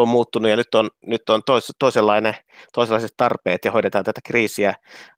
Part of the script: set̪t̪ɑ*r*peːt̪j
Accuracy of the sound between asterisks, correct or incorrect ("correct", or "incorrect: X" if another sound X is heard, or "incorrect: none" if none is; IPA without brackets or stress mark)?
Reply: correct